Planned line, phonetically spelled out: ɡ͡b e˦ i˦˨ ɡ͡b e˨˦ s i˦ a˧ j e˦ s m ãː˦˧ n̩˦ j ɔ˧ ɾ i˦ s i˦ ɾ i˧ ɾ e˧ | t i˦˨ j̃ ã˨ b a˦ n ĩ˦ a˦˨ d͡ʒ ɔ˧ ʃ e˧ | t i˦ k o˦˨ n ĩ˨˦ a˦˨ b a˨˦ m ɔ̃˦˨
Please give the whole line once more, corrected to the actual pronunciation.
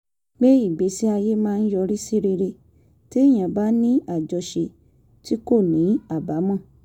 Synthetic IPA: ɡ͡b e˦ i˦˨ ɡ͡b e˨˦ s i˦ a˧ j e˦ m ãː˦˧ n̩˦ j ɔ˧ ɾ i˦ s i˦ ɾ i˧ ɾ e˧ | t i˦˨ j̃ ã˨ b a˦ n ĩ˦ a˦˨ d͡ʒ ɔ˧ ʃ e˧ | t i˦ k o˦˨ n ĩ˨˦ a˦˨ b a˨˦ m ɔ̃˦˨